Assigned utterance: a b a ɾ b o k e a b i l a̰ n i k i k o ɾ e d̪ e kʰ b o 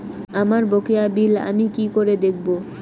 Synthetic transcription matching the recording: a m a ɾ b o k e a b i l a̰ m i k i k o ɾ e d̪ e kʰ b o